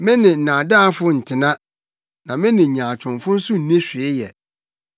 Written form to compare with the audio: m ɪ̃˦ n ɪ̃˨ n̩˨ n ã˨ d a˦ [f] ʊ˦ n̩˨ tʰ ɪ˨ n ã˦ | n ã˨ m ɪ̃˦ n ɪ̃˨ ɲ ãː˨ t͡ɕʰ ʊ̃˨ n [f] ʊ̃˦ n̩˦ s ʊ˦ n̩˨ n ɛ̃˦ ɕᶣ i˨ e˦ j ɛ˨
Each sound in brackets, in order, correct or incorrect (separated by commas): correct, correct